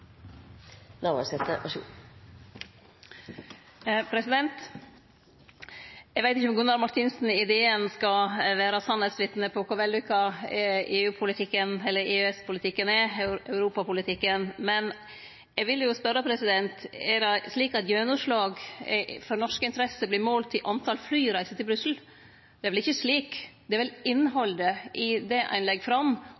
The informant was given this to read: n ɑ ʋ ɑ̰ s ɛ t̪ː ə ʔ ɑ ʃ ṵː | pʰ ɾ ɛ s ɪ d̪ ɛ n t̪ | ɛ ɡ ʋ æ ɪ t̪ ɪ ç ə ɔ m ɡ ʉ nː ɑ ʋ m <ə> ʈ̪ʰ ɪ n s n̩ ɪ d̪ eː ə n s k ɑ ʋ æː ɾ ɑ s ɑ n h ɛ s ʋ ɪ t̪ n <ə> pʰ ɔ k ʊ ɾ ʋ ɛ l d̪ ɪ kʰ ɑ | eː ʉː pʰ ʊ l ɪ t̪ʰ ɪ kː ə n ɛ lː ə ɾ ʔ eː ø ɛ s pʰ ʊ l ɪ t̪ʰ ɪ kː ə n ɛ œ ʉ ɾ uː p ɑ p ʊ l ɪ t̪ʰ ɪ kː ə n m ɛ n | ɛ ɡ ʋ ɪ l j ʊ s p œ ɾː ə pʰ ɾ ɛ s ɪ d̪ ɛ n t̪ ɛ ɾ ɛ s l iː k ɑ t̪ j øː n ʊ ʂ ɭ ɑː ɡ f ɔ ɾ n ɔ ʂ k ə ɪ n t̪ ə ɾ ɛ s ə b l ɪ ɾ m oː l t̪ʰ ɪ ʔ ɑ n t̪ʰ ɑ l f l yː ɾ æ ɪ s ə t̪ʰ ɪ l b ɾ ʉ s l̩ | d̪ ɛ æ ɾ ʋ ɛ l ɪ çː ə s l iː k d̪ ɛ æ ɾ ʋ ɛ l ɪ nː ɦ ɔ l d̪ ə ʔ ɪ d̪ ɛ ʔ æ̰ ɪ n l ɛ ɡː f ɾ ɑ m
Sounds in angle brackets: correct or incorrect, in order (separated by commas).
incorrect, correct